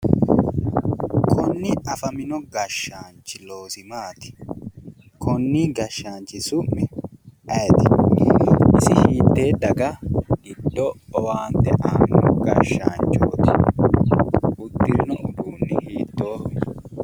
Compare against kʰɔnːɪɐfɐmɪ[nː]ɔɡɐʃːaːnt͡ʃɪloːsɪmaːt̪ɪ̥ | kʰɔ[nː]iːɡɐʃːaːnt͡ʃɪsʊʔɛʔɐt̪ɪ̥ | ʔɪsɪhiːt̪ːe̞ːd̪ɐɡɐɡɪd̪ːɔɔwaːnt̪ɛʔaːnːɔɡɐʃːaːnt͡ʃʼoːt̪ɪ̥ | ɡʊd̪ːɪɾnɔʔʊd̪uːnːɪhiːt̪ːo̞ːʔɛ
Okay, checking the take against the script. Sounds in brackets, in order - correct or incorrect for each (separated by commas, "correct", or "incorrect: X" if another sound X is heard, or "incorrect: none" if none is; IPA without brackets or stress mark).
incorrect: n, correct